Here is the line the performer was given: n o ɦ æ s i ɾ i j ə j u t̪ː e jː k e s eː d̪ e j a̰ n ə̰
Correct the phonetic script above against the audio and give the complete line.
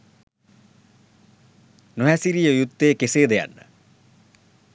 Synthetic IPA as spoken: n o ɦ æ s i ɾ i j ə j u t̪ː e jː k e s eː d̪ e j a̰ nː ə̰